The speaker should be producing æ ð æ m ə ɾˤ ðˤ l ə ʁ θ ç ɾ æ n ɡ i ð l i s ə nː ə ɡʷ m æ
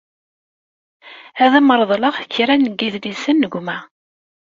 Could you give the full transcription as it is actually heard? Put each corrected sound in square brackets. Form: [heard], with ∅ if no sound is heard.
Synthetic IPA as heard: æ ð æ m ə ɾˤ ðˤ l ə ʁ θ ç ɾ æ n ɡ i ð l i s ə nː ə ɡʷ m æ